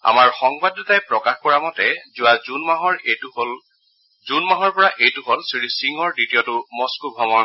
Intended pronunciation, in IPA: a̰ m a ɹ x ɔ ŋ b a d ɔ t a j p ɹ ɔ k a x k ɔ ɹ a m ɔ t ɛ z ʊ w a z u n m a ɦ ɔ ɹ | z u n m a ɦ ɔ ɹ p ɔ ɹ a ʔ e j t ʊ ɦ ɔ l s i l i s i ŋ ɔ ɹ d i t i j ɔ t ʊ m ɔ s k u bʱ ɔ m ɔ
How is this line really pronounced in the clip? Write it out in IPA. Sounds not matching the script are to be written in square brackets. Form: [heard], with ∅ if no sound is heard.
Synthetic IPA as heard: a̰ m a ɹ x ɔ ŋ b a d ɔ t a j p ɹ ɔ k a x k ɔ ɹ a m ɔ t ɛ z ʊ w a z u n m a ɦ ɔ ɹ | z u n m a ɦ ɔ ɹ p ɔ ɹ a ʔ e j t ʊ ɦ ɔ l s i [ɹ] i s i ŋ ɔ ɹ d i t i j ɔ t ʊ m ɔ s k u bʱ ɔ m ɔ